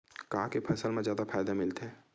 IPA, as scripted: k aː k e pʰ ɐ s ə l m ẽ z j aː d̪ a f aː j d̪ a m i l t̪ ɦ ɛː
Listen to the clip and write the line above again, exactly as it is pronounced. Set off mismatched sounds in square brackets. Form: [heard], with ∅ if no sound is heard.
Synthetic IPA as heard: k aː k e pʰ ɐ s ə l m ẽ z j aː d̪ a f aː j d̪ a m [ɪ] l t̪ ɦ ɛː